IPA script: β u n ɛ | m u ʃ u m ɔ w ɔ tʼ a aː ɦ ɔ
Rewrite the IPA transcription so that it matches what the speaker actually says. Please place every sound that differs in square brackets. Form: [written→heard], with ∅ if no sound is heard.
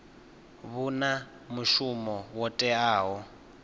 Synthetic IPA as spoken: β u n [ɛ→a] | m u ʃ u m ɔ w ɔ tʼ [a→ɛ] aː ɦ ɔ